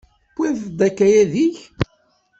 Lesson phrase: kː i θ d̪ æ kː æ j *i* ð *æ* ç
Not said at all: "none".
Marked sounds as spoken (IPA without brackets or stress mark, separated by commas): æ, i